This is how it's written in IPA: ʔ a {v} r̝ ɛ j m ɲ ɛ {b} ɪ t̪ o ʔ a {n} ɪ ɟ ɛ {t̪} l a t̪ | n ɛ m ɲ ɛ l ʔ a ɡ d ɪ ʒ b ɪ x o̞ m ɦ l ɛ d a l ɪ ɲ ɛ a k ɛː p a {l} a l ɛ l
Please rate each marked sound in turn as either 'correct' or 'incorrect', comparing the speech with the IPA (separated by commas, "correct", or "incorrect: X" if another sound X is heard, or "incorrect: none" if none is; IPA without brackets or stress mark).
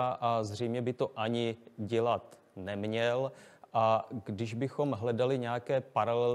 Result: incorrect: z, correct, incorrect: ɲ, incorrect: none, incorrect: ɾ